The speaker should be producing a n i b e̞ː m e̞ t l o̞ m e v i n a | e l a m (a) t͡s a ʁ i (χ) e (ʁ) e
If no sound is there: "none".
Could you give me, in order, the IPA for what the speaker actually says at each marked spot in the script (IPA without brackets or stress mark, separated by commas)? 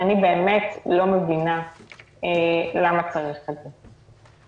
a, χ, z